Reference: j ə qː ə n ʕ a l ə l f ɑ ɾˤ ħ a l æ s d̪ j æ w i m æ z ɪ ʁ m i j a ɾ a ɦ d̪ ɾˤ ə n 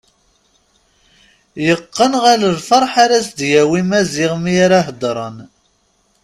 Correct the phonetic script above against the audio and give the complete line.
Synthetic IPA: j ə qː ə n ʁ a l ə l f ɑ ɾˤ ħ a ɾ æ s d̪ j æ w i m æ z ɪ ʁ m i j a ɾ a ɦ d̪ ɾˤ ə n

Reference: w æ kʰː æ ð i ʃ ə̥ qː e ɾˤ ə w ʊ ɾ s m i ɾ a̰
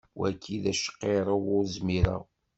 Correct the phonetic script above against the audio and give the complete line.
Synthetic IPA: w æ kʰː i ð æ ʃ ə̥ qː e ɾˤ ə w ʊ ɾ z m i ɾ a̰

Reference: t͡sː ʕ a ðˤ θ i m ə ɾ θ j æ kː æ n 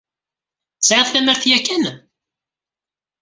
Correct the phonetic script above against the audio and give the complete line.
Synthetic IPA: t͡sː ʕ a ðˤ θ æ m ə ɾ θ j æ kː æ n

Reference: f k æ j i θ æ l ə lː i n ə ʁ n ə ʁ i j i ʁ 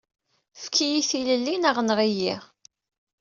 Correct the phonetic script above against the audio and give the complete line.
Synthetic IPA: f k i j i θ i l ə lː i n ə ʁ n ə ʁ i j i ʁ

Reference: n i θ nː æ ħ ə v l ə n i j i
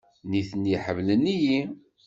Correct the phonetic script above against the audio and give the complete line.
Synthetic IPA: n i θ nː i ħ ə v l ə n i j i

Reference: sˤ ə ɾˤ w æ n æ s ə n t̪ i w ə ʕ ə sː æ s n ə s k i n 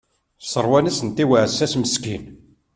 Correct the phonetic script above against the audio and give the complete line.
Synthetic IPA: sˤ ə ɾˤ w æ n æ s ə n t̪ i w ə ʕ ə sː æ s m ə s k i n

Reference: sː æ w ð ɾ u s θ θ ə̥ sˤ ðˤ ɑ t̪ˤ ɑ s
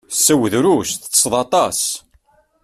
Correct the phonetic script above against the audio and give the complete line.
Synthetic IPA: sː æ w ð ɾ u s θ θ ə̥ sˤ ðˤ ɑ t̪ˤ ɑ s

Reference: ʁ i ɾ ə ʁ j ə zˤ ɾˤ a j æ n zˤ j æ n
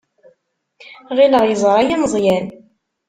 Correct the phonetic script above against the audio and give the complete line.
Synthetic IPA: ʁ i l ə ʁ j ə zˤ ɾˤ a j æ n zˤ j æ n

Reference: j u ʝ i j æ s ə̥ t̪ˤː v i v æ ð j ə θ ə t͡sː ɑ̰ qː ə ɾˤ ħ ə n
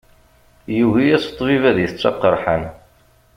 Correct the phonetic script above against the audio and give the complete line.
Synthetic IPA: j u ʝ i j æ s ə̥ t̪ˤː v i v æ ð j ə θ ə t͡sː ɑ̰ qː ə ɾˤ ħ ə n

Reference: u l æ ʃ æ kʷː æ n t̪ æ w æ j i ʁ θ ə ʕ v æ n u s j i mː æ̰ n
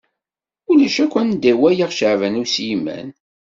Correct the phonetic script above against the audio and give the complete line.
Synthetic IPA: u l æ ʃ æ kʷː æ n d̪ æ w æ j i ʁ ʃ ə ʕ v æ n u s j i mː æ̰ n

